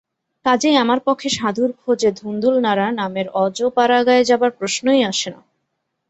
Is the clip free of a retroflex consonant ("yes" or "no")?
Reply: yes